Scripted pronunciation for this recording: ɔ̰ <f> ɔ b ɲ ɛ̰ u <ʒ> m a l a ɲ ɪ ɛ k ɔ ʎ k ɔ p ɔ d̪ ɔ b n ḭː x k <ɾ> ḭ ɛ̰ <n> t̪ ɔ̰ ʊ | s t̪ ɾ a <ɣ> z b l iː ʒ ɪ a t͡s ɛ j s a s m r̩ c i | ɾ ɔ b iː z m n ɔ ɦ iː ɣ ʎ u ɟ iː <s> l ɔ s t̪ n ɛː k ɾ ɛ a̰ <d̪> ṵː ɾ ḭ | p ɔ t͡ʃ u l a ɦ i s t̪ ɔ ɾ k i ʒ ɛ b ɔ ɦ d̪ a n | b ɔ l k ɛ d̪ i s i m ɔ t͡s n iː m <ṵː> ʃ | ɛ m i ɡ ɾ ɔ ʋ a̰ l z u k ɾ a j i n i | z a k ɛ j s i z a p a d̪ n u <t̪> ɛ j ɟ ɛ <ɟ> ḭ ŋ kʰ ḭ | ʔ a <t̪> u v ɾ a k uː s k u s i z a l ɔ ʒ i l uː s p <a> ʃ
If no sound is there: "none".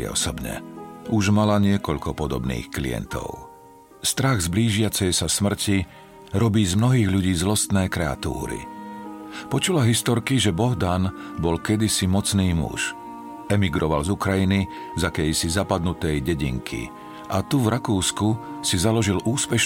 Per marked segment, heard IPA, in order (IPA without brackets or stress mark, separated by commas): s, ʒ, l, n, ɣ, z, t̪, ṵ, t̪, ɟ, t̪, ɛ